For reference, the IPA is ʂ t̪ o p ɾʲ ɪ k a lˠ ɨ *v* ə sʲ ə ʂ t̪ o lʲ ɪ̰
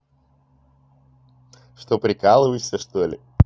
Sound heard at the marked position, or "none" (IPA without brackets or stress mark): v